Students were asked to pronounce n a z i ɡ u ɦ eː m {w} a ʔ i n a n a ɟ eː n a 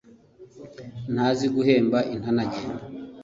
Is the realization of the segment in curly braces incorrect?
yes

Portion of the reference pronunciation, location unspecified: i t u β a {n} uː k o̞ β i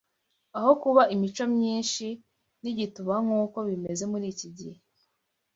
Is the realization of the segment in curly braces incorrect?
yes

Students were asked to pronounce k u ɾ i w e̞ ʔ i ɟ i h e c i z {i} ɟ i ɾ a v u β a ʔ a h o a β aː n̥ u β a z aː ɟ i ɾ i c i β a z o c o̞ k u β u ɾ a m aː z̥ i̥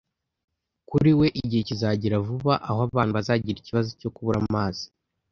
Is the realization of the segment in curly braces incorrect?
yes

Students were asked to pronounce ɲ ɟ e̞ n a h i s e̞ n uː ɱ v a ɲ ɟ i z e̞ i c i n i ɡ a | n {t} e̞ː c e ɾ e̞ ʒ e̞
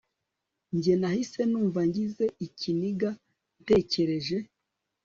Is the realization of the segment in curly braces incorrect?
no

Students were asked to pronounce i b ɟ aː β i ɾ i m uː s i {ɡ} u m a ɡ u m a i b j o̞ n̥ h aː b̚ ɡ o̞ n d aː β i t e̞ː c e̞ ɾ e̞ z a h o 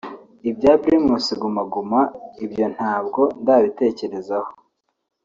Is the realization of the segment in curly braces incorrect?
no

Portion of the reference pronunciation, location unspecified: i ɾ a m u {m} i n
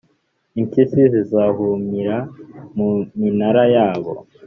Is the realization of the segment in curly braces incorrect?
no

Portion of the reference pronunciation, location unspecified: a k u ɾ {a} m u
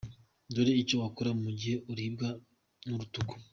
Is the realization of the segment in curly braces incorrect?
no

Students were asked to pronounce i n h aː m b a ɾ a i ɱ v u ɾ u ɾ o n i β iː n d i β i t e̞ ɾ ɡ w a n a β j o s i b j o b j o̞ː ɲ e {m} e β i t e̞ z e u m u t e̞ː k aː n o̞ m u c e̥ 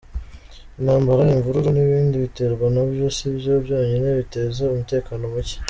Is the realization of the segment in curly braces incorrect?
yes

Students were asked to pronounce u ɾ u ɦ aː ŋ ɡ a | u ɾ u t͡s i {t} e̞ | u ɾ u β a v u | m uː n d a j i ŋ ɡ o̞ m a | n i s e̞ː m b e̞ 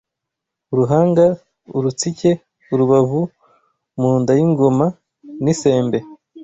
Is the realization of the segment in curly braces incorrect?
yes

